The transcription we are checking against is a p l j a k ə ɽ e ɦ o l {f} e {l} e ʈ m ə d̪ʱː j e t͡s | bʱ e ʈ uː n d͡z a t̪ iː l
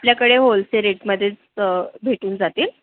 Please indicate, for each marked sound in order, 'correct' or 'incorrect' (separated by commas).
incorrect, incorrect